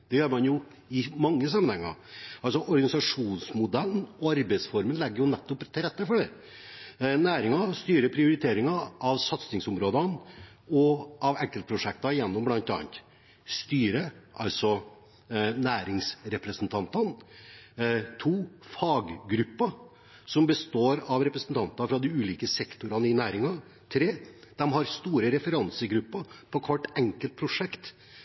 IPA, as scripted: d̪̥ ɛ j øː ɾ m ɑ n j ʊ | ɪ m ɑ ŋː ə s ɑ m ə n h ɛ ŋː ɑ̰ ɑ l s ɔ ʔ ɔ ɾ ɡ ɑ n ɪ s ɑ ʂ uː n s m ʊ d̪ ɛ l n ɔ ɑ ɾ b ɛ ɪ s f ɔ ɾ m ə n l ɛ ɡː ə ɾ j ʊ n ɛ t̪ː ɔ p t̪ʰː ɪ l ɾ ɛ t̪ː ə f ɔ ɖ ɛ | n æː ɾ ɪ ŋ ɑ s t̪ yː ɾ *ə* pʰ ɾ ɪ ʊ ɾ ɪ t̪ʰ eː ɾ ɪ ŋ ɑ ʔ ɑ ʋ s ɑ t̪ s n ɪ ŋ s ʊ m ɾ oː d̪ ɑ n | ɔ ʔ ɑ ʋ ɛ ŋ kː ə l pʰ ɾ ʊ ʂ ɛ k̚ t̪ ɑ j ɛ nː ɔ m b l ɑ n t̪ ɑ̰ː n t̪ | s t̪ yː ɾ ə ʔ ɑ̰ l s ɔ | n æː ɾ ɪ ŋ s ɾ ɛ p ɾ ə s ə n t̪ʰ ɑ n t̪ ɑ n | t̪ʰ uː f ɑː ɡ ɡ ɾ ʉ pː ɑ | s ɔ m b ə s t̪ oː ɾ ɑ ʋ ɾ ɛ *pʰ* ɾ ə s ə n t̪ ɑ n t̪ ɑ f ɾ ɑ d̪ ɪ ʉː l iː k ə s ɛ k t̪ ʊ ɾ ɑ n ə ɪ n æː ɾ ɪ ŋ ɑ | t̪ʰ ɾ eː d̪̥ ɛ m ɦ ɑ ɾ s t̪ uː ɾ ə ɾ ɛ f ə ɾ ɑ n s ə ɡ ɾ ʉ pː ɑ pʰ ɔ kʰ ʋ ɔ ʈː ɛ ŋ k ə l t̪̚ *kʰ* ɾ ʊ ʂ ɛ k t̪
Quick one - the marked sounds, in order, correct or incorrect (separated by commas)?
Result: correct, incorrect, incorrect